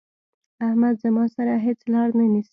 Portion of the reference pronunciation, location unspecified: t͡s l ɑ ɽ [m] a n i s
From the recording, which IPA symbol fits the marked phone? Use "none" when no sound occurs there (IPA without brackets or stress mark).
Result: n